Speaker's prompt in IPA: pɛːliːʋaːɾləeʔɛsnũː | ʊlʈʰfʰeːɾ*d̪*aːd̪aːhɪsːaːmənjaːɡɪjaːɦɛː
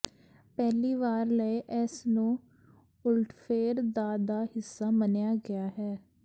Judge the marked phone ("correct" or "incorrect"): correct